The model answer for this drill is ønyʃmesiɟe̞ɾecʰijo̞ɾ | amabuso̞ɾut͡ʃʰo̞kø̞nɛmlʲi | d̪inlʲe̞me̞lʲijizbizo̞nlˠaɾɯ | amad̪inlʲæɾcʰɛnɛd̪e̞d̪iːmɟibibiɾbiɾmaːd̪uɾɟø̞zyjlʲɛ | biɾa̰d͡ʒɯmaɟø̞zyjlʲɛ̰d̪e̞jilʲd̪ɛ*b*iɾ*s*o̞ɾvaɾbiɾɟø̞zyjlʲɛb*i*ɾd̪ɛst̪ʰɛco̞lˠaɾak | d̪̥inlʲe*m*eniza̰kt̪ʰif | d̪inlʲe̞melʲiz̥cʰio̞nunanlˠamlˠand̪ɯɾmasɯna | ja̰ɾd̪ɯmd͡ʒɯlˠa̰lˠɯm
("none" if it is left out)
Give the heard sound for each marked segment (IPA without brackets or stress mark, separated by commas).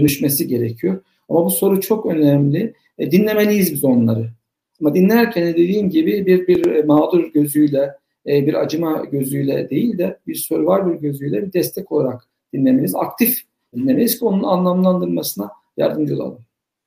b, s, i, m